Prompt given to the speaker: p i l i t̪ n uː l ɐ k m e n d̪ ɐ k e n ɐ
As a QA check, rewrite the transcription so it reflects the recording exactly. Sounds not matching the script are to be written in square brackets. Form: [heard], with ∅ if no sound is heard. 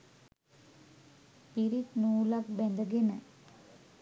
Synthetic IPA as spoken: p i [ɾ] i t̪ n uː l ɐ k [b] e n d̪ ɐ [ɡ] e n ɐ